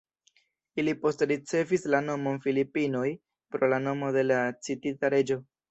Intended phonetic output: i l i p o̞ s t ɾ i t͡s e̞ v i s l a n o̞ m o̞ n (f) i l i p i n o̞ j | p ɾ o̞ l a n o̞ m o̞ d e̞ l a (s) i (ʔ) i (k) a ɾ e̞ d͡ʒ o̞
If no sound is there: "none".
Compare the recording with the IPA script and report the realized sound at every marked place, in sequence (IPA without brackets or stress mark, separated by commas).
f, t͡s, t, t